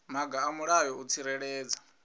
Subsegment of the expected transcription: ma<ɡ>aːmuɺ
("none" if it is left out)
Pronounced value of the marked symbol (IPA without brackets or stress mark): ɡ